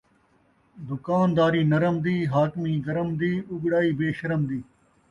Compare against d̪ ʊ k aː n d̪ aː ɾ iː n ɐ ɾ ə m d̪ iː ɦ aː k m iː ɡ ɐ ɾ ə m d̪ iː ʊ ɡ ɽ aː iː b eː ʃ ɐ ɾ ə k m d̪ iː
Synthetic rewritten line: d̪ ʊ k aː n d̪ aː ɾ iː n ɐ ɾ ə m d̪ iː ɦ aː k m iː ɡ ɐ ɾ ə m d̪ iː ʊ ɡ ɽ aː iː b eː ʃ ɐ ɾ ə m d̪ iː